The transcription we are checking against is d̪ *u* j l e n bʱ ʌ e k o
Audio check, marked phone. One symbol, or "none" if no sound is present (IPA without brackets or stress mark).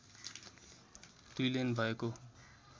u